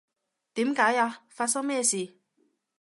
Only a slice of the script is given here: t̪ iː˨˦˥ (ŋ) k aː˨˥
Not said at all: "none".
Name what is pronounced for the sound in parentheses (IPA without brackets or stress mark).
m